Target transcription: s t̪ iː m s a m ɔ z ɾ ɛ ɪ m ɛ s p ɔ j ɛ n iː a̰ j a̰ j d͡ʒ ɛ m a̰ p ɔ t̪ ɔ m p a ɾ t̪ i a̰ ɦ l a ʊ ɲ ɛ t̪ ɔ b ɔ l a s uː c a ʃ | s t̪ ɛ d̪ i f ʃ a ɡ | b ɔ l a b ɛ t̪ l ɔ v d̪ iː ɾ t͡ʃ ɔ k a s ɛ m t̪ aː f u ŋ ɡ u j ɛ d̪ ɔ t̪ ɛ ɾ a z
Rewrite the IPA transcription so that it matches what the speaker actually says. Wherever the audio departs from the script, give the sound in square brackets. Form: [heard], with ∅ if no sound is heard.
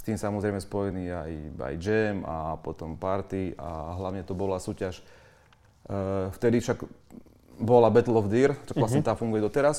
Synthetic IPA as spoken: s t̪ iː m s a m ɔ z ɾ ɛ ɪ m ɛ s p ɔ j ɛ n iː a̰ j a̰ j d͡ʒ ɛ m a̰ p ɔ t̪ ɔ m p a ɾ t̪ i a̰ ɦ l a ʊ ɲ ɛ t̪ ɔ b ɔ l a s uː c a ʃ | [f] t̪ ɛ d̪ i f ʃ a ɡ | b ɔ l a b ɛ t̪ l ɔ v d̪ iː ɾ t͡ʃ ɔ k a s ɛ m t̪ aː f u ŋ ɡ u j ɛ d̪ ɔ t̪ ɛ ɾ a [s]